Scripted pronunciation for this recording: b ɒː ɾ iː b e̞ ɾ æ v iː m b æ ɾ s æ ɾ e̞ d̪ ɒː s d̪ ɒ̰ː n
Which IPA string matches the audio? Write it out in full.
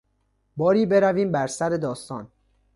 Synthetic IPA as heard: b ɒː ɾ iː b e̞ ɾ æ v iː m b æ ɾ s æ ɾ e̞ d̪ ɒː s t̪ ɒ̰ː n